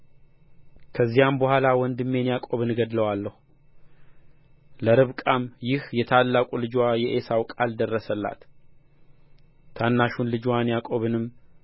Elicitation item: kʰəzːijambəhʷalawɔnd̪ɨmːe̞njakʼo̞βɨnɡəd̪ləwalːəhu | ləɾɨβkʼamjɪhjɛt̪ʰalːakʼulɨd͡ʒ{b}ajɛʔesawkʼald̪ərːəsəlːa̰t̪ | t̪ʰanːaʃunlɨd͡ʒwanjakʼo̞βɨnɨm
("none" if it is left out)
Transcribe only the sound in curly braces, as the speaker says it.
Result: w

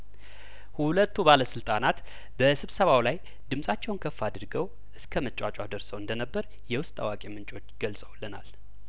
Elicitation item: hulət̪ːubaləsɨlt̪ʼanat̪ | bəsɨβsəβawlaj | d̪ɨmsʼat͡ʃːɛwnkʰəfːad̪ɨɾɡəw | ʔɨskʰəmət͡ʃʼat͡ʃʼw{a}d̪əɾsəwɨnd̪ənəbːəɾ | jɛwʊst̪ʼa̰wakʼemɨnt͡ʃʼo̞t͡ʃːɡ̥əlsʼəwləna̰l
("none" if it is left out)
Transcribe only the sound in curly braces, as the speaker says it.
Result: a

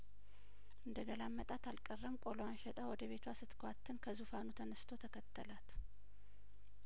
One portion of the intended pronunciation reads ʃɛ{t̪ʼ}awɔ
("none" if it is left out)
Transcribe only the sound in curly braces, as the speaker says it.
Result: t̪ʼ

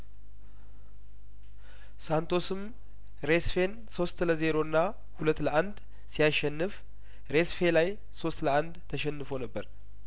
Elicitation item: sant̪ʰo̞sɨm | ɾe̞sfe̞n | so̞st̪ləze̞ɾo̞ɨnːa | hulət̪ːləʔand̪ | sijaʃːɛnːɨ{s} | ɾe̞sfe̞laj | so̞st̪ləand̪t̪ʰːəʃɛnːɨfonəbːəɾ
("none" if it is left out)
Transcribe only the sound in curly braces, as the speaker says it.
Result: f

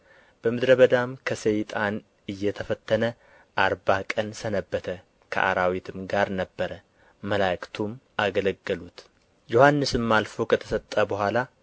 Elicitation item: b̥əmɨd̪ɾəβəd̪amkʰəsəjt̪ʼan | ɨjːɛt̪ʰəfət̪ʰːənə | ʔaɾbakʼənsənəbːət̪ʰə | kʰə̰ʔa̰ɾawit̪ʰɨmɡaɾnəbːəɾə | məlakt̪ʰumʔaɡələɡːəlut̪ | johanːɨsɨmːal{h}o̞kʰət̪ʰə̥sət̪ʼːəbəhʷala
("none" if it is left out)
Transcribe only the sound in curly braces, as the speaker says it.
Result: f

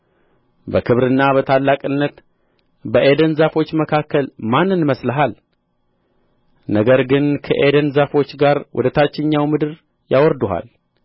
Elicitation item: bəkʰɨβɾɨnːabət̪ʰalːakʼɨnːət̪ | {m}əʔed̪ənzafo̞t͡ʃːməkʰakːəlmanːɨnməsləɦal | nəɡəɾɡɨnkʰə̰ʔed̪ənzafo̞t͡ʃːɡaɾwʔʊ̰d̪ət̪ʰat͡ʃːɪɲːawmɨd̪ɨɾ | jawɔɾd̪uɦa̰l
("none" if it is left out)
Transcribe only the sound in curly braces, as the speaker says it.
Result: b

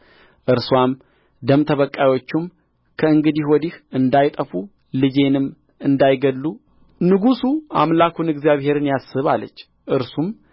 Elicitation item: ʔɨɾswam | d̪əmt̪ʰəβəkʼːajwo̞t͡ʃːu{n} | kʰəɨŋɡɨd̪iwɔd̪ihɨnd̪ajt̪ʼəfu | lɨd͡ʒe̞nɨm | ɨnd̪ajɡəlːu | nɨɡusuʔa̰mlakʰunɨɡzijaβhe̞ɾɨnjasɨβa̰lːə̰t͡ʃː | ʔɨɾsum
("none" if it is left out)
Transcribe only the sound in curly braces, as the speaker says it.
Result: m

